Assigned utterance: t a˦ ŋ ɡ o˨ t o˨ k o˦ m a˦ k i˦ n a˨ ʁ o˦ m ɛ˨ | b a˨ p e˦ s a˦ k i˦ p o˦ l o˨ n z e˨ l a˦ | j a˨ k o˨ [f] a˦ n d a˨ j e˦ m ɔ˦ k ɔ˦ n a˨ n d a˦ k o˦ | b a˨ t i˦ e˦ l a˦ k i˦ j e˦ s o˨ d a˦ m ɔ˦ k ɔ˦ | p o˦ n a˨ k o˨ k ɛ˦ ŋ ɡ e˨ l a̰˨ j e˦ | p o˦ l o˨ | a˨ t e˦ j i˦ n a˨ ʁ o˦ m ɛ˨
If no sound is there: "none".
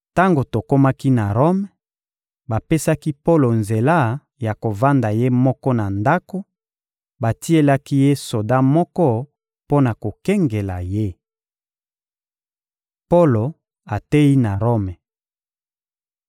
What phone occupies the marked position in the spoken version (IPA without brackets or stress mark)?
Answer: v